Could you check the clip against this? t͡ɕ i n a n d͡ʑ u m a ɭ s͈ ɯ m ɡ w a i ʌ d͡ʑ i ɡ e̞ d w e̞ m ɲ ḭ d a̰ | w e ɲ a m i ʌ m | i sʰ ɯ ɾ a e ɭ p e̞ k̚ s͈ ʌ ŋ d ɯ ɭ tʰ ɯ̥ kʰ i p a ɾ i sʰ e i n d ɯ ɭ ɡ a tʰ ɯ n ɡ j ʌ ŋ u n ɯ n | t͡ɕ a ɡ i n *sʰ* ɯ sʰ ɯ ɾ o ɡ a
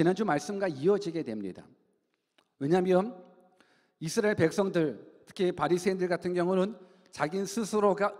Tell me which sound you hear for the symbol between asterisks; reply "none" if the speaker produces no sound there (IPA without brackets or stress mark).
sʰ